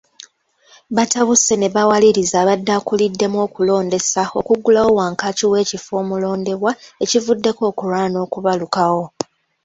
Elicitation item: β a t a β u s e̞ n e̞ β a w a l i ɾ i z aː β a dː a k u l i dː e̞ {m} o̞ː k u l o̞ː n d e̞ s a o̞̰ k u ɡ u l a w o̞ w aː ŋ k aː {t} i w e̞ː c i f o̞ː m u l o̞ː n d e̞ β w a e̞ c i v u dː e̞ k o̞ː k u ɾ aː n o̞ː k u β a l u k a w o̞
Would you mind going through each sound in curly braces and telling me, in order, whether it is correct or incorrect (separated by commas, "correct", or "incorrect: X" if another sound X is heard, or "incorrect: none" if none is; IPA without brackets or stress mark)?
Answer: correct, incorrect: c